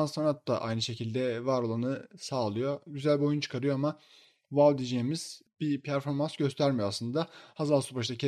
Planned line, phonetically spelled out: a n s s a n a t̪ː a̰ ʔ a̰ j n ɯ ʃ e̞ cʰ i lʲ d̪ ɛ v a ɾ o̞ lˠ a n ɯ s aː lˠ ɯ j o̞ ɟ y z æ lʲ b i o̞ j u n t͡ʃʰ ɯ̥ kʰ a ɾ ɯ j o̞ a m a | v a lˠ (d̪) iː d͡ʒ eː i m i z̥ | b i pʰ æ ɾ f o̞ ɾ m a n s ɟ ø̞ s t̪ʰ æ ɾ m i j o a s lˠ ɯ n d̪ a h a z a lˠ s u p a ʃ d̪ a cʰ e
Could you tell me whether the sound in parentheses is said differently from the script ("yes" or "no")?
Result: no